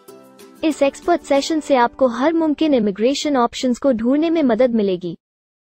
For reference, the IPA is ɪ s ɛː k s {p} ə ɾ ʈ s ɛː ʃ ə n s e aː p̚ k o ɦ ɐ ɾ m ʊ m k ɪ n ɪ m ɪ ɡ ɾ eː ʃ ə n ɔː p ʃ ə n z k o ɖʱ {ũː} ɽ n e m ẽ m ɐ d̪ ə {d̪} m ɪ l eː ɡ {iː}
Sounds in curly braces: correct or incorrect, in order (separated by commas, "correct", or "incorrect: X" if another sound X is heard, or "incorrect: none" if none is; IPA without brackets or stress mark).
correct, incorrect: uː, correct, correct